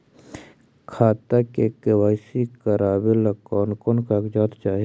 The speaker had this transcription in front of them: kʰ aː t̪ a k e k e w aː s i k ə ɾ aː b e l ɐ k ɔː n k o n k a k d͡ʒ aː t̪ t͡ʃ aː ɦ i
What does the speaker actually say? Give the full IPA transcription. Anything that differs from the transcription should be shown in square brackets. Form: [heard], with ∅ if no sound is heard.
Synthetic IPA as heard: kʰ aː t̪ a k e k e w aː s i k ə ɾ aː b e l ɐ k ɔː n k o n k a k d͡ʒ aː t̪ t͡ʃ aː ɦ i